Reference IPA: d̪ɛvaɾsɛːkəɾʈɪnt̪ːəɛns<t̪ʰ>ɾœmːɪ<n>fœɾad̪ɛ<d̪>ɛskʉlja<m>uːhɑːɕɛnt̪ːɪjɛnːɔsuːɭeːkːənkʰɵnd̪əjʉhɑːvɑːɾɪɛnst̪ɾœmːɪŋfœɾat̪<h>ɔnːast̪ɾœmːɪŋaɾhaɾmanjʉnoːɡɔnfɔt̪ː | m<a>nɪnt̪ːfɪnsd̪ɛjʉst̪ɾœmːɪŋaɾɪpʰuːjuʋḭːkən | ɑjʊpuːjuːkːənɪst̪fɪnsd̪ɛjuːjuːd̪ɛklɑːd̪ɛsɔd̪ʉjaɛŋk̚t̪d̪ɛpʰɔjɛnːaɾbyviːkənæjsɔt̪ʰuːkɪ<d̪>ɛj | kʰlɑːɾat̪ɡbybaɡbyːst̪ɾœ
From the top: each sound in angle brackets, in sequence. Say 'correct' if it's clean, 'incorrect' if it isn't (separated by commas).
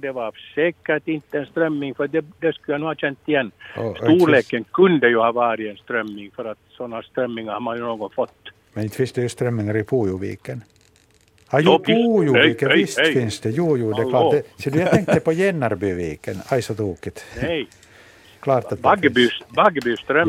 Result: incorrect, incorrect, correct, incorrect, incorrect, incorrect, incorrect